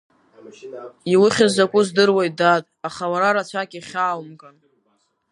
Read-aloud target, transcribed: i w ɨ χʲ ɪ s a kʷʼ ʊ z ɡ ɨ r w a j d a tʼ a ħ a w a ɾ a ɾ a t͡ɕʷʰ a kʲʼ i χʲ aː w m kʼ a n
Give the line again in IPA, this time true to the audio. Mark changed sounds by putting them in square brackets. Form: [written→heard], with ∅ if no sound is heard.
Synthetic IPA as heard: i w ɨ χʲ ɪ [s→z] a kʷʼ ʊ z [ɡ→d] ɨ r w a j d a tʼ a [ħ→χ] a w a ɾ a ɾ a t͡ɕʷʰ a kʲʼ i χʲ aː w m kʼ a n